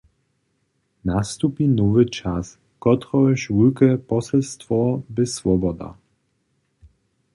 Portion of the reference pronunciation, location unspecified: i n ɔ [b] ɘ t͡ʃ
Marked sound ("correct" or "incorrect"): incorrect